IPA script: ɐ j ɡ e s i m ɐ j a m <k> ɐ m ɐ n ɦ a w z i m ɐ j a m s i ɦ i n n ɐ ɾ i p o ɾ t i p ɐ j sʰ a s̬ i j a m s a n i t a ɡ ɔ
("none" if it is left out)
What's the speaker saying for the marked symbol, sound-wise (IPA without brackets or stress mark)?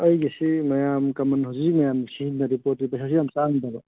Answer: k